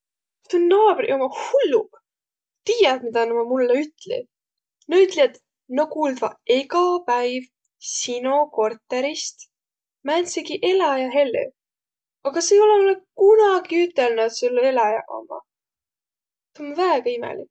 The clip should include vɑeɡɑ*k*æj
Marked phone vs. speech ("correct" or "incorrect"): incorrect